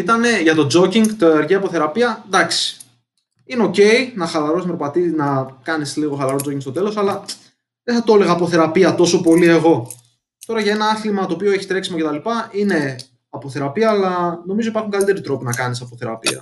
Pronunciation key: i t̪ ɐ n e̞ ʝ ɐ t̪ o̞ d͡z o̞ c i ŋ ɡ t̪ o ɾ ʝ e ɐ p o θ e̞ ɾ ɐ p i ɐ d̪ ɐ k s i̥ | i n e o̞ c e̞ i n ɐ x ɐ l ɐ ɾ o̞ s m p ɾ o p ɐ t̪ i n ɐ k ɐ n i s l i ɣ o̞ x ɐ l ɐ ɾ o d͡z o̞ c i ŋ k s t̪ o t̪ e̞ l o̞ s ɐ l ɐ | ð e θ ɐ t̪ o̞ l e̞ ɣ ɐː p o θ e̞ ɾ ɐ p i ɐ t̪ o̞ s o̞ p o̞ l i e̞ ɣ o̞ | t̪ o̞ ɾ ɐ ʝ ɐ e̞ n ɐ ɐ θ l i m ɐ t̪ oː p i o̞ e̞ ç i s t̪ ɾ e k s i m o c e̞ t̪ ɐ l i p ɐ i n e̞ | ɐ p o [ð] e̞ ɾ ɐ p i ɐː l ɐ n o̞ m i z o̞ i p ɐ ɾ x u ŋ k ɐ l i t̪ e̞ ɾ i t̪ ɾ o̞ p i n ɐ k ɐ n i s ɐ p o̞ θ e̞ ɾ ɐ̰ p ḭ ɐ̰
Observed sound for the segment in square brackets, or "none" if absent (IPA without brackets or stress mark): θ